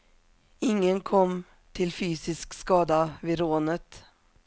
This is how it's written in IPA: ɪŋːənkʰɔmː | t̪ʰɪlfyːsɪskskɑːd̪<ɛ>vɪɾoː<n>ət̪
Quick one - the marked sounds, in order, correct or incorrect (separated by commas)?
incorrect, correct